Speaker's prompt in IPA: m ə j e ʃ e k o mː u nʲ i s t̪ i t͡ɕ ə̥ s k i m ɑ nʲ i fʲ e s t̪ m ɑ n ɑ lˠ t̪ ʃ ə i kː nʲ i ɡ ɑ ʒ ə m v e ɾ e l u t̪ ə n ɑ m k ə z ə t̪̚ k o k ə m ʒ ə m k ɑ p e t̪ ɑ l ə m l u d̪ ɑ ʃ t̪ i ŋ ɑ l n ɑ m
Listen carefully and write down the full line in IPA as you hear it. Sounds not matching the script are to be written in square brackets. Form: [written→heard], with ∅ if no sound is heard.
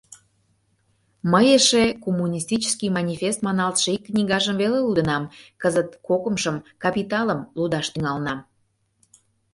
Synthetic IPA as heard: m ə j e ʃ e k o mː u nʲ i s t̪ i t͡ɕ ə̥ s k i m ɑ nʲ i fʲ e s t̪ m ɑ n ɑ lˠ t̪ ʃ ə i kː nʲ i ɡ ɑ ʒ ə m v e [ɾ→l] e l u [t̪→d̪] ə n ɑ m k ə z ə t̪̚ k o k ə m [ʒ→ʃ] ə m k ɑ p [e→i] t̪ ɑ l ə m l u d̪ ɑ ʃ t̪ [i→y] ŋ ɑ l n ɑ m